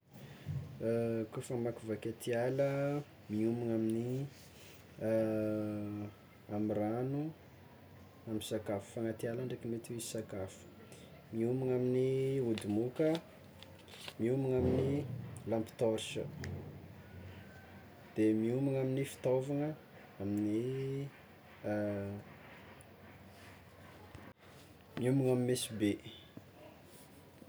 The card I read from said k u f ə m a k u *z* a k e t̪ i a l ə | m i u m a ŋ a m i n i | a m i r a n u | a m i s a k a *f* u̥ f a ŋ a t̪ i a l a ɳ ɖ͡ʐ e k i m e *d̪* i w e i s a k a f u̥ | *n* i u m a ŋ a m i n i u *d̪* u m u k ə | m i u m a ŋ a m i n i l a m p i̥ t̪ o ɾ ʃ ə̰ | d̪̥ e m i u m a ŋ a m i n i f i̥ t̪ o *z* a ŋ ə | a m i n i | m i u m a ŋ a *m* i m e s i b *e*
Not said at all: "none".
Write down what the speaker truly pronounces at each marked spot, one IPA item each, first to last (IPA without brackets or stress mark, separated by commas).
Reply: v, f, t̪, m, d̪, v, m, e